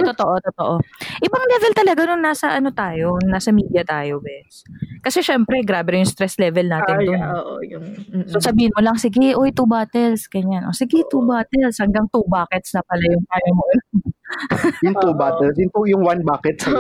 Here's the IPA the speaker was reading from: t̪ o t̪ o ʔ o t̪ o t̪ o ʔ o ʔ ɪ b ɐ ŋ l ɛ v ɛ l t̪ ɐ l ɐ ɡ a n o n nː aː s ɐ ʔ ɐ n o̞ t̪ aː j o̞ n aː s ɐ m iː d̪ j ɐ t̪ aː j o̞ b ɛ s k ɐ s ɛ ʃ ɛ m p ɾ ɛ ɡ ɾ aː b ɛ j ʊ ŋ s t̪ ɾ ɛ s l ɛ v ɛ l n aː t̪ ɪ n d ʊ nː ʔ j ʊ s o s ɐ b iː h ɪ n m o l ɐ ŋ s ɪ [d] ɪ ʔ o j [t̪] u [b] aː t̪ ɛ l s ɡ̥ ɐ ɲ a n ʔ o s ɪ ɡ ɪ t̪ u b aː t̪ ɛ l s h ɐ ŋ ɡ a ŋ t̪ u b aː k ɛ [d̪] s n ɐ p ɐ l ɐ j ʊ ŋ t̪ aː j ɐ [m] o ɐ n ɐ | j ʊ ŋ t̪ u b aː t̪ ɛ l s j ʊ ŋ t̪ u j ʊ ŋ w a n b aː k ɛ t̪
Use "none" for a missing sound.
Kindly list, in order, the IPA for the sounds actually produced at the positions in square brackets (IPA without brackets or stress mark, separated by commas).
ɡ, t̪, b, t̪, m